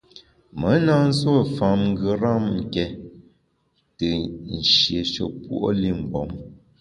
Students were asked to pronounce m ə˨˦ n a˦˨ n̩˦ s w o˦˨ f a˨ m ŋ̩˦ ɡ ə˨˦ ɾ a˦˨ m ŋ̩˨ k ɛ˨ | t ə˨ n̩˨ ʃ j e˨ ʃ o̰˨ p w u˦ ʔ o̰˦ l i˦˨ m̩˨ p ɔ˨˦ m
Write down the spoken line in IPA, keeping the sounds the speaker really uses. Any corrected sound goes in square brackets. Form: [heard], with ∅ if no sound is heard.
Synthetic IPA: m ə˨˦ n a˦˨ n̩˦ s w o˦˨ f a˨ m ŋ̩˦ ɡ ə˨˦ ɾ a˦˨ m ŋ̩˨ k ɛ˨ | t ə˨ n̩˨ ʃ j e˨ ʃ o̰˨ p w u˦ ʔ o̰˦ l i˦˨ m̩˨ [b] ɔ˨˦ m